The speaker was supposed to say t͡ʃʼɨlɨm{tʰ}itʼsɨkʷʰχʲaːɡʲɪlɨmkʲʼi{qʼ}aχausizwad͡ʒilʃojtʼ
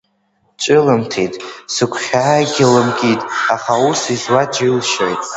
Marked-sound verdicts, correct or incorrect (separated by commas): correct, incorrect